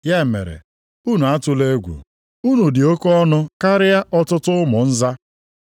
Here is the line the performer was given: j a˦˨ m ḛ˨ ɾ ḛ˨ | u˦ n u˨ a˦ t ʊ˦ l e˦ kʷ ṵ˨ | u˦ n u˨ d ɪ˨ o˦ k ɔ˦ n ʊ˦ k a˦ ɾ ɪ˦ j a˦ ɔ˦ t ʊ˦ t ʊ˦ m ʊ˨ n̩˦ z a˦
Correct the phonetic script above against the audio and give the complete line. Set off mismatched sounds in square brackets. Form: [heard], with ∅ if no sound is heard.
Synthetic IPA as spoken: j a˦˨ m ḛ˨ ɾ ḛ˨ | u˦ n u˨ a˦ t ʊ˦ l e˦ [ɡʷ] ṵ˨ | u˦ n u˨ d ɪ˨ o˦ k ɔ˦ n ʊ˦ k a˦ ɾ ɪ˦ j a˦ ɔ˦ t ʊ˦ t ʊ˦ m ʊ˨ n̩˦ z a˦